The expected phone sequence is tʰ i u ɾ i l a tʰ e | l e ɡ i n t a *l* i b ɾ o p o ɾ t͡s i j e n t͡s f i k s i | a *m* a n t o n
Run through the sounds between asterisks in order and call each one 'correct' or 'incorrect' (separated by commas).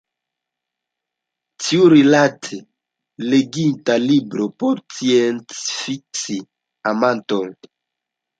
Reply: correct, correct